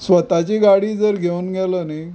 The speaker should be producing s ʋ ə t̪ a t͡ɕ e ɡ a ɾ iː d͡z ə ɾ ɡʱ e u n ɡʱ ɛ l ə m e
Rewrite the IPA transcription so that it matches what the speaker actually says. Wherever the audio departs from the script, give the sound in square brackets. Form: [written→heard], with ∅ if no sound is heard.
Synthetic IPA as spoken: s ʋ ə t̪ a t͡ɕ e ɡ a [ɾ→ɽ] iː d͡z ə ɾ ɡʱ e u n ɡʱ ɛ l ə [m→n] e